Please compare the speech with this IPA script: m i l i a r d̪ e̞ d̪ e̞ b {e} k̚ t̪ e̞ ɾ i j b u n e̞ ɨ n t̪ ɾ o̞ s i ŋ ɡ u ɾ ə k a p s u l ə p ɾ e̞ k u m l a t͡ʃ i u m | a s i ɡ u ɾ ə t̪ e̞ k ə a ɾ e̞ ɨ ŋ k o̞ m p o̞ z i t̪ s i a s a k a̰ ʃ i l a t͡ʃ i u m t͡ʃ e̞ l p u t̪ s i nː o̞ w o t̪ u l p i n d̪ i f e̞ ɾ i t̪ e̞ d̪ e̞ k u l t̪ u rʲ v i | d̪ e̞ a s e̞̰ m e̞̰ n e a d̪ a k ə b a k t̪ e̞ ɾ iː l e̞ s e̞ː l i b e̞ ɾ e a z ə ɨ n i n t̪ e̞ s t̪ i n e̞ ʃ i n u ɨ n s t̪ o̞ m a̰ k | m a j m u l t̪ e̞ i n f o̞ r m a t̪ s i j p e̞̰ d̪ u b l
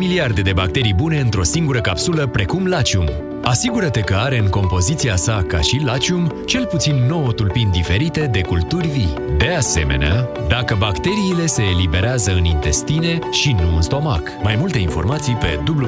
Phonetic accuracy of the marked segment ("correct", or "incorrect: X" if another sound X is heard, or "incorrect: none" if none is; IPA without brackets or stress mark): incorrect: a